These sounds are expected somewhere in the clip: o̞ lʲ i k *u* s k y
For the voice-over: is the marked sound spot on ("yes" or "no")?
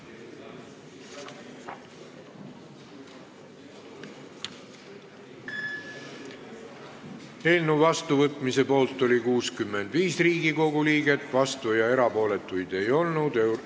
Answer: no